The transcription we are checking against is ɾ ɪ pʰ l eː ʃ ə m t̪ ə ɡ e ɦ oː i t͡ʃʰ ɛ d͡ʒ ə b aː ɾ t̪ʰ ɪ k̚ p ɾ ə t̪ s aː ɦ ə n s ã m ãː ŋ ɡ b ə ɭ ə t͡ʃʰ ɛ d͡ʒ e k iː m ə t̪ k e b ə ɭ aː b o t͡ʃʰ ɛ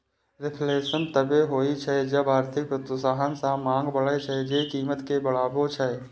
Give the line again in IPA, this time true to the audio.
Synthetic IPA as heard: ɾ ɪ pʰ l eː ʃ ə n t̪ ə b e ɦ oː i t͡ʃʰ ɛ d͡ʒ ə b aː ɾ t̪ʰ ɪ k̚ p ɾ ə t̪ s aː ɦ ə n s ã m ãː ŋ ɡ b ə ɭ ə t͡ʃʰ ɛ d͡ʒ e k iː m ə t̪ k e b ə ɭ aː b o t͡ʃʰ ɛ

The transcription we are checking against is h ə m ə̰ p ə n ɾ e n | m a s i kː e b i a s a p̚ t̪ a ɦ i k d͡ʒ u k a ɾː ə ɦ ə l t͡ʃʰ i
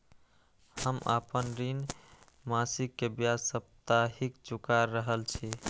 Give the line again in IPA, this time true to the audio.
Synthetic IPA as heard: h ə m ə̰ p ə n ɾ i n | m a s i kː e b j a s ə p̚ t̪ a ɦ i k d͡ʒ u k a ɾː ə ɦ ə l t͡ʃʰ i

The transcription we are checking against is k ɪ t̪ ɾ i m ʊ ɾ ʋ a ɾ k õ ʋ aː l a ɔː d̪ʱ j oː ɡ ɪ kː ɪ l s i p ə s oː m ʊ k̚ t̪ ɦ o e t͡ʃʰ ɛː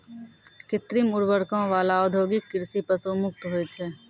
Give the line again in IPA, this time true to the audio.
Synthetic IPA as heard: k ɪ t̪ ɾ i m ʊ ɾ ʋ ə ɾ k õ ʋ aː l a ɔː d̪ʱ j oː ɡ ɪ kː ɪ ɾ s i p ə s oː m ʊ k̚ t̪ ɦ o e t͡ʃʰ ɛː

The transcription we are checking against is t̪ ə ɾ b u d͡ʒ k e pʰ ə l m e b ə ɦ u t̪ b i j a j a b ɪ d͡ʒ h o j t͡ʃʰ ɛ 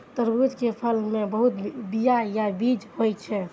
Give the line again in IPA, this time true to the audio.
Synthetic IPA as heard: t̪ ə ɾ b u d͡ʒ k e pʰ ə l m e b ə ɦ u t̪ b i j a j a b i d͡ʒ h o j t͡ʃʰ ɛ

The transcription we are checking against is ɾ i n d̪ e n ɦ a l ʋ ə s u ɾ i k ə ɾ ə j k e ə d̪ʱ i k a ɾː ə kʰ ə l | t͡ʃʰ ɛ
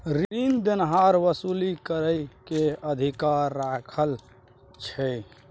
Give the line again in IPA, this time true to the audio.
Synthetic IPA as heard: ɾ i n d̪ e n ɦ a ɾ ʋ ə s u l i k ə ɾ ə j k e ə d̪ʱ i k a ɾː a kʰ ə l | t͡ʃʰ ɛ

